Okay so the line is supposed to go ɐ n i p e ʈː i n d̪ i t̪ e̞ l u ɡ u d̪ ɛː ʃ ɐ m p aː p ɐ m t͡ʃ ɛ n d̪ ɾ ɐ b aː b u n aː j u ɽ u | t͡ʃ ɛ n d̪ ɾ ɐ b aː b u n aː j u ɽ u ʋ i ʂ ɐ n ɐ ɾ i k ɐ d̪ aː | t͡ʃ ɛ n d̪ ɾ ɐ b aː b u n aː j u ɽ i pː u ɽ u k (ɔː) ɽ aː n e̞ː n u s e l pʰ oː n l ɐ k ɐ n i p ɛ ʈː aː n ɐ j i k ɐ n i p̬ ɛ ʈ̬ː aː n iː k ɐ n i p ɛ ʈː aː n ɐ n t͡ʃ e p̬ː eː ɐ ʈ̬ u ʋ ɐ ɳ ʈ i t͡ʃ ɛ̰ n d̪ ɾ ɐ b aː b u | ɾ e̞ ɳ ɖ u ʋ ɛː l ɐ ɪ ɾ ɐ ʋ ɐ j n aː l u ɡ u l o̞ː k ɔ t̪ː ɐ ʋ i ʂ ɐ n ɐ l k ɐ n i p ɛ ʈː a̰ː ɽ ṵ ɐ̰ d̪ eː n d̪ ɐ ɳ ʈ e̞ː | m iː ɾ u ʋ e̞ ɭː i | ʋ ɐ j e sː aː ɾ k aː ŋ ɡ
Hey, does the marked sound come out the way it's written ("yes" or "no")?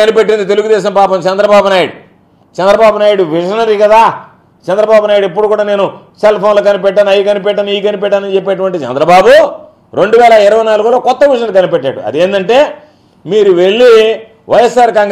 no